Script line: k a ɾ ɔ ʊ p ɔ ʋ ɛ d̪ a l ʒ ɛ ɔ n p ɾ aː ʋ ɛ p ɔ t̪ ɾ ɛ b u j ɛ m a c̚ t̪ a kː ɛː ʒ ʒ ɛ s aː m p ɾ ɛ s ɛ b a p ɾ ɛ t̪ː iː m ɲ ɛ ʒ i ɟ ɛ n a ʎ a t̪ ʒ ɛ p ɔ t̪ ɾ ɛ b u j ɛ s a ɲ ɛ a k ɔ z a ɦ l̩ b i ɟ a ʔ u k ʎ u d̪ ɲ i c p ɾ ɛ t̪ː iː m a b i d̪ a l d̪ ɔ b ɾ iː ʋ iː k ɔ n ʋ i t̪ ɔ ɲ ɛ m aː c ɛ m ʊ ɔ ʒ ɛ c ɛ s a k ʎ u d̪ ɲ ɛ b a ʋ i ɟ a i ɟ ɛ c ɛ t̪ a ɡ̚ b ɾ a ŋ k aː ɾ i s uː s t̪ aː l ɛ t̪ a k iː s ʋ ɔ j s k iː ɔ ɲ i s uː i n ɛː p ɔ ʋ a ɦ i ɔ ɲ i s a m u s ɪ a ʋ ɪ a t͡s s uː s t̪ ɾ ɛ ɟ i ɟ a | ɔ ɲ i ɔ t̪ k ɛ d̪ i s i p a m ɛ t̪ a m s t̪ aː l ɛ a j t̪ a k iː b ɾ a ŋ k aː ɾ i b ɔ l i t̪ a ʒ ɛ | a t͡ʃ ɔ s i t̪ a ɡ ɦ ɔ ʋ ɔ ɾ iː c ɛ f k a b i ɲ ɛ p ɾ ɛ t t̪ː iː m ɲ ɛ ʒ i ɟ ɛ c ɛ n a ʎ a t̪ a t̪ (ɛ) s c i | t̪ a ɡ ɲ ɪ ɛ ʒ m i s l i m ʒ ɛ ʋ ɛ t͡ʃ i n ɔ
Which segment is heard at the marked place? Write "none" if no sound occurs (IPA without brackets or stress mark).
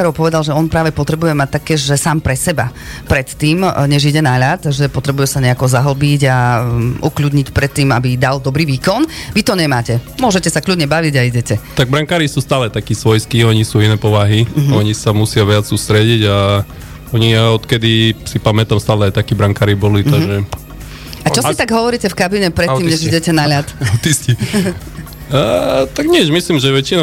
i